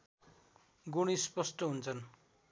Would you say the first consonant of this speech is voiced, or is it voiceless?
voiced